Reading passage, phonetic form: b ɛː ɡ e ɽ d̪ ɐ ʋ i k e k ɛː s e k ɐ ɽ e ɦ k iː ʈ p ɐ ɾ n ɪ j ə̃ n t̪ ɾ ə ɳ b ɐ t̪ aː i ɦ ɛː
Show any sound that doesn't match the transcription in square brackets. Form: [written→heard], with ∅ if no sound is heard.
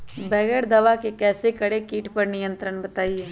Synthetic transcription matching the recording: b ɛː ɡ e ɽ d̪ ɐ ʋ [i→a] k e k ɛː s e k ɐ ɽ e [ɦ→∅] k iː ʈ p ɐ ɾ n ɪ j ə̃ n t̪ ɾ ə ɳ b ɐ t̪ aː i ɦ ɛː

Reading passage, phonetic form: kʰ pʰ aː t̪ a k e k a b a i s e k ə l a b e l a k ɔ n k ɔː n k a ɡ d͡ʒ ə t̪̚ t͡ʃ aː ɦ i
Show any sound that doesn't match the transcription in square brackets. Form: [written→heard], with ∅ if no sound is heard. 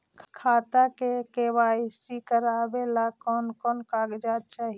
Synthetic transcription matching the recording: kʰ [pʰ→kʰ] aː t̪ a k e k [a→e] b a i s [e→i] k ə [l→ɾ] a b e l a k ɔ n k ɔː n k a ɡ d͡ʒ [ə→a] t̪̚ t͡ʃ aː ɦ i

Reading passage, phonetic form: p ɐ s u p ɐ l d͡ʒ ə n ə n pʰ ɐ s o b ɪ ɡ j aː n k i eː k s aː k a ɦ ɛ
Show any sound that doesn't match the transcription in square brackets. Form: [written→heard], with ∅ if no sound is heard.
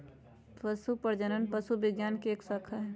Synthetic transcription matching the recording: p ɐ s u p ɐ [l→ɾ] d͡ʒ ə n ə n [pʰ→p] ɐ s [o→u] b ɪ ɡ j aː n k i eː k s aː [k→kʰ] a ɦ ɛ

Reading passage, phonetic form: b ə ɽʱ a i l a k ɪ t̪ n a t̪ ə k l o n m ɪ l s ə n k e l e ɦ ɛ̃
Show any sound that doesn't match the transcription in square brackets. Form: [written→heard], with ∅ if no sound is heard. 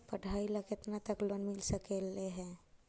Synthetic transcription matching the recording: [b→p] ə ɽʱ a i l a k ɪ t̪ n a t̪ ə k l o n m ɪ l s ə [n→∅] k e l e ɦ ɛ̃

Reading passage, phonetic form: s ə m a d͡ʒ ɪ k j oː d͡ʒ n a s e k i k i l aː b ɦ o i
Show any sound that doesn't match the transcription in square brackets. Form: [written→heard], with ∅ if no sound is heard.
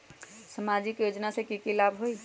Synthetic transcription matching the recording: s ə m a d͡ʒ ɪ k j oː d͡ʒ n a s e k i k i l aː b ɦ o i

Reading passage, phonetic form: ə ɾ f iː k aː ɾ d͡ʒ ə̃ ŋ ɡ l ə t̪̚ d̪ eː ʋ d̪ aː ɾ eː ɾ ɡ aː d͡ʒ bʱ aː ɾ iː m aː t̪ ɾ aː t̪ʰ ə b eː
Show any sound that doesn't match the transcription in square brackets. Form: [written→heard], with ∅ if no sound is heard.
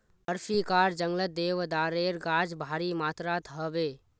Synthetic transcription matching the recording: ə ɾ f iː k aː ɾ d͡ʒ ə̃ ŋ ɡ l ə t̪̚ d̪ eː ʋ d̪ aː ɾ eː ɾ ɡ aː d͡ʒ bʱ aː ɾ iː m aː t̪ ɾ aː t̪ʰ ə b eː

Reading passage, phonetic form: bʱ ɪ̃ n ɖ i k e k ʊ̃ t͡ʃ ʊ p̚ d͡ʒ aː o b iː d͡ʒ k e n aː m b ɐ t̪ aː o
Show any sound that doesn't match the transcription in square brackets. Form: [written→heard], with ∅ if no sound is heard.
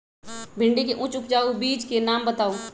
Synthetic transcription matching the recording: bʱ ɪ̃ [n→ɳ] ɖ i k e [k→ʔ] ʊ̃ t͡ʃ ʊ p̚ d͡ʒ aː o b iː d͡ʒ k e n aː m b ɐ t̪ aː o

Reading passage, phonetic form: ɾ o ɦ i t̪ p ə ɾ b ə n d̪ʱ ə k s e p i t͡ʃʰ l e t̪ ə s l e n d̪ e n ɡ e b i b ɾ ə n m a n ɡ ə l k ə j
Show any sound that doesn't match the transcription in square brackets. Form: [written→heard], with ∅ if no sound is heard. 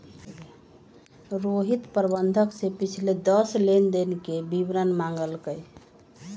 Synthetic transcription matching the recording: ɾ o ɦ i t̪ p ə ɾ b ə n d̪ʱ ə k s e p i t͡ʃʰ l e [t̪→d̪] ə s l e n d̪ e n [ɡ→k] e b i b ɾ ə n m a [n→ŋ] ɡ ə l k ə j

